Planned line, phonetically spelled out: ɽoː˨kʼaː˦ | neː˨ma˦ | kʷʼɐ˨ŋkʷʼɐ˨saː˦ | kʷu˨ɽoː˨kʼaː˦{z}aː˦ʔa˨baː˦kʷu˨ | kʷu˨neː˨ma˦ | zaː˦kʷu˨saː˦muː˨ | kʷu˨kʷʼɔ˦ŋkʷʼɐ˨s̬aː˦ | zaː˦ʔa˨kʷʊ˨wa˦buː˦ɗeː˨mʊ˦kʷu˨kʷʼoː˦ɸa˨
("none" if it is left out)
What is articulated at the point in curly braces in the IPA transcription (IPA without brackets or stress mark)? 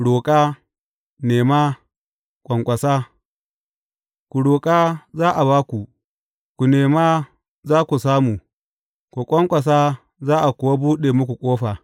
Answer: z